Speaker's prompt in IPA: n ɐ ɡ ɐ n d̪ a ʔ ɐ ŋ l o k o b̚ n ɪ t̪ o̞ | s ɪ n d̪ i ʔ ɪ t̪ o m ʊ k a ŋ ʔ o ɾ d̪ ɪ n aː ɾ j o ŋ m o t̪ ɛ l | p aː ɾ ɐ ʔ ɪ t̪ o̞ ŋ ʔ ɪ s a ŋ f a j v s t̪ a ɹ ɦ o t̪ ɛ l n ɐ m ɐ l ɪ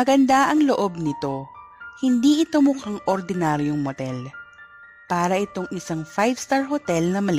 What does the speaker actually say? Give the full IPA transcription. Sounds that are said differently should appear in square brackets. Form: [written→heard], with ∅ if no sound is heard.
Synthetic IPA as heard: [n→m] ɐ ɡ ɐ n d̪ a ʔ ɐ ŋ l o [k→ʔ] o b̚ n ɪ t̪ o̞ | [s→h] ɪ n d̪ i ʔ ɪ t̪ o m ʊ k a ŋ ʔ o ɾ d̪ ɪ n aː ɾ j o ŋ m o t̪ ɛ l | p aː ɾ ɐ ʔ ɪ t̪ o̞ ŋ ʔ ɪ s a ŋ f a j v s t̪ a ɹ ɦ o t̪ ɛ l n ɐ m ɐ l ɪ